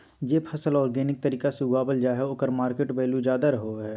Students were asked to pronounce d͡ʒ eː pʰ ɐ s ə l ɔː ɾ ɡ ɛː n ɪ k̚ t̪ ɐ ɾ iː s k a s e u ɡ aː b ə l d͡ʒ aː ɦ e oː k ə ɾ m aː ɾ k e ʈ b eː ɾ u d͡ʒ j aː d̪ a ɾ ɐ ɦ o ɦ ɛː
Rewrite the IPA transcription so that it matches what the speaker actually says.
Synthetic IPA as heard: d͡ʒ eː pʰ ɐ s ə l ɔː ɾ ɡ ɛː n ɪ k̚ t̪ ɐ ɾ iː k a s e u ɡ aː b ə l d͡ʒ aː ɦ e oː k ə ɾ m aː ɾ k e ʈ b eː l u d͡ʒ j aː d̪ a ɾ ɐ ɦ o ɦ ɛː